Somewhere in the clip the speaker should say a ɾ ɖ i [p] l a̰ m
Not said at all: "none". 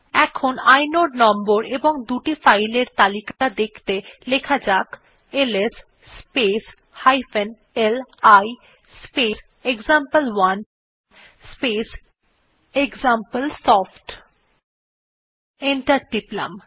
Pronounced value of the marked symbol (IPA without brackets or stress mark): p